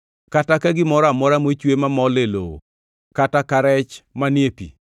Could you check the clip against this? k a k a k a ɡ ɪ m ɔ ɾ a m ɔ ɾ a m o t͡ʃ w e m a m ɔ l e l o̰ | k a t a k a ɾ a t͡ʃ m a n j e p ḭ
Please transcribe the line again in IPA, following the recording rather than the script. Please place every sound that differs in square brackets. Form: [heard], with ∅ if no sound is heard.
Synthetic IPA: k a [t] a k a ɡ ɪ m ɔ ɾ a m ɔ ɾ a m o t͡ʃ w e m a m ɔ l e l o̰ | k a t a k a ɾ [ɛ] t͡ʃ m a n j e p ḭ